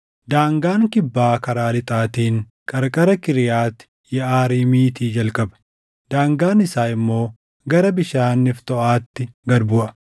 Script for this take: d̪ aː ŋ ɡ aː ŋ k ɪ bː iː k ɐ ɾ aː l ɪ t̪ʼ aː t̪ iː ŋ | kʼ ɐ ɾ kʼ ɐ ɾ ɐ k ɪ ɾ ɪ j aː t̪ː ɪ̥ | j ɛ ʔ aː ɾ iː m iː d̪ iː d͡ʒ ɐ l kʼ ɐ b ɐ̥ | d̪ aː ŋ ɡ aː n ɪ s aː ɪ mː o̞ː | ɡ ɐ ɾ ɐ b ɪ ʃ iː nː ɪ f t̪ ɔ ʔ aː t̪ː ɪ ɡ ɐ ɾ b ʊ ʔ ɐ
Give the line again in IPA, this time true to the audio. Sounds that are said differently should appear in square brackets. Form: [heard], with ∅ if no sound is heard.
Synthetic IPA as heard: d̪ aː ŋ ɡ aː ŋ k ɪ bː [aː] k ɐ ɾ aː l ɪ t̪ʼ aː t̪ iː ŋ | kʼ ɐ ɾ kʼ ɐ ɾ ɐ k ɪ ɾ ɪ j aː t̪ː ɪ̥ | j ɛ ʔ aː ɾ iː m iː [t̪] iː d͡ʒ ɐ l kʼ ɐ b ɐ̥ | d̪ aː ŋ ɡ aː n ɪ s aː ɪ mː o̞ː | ɡ ɐ ɾ ɐ b ɪ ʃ [aː] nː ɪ f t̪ ɔ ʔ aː t̪ː ɪ ɡ ɐ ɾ b ʊ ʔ ɐ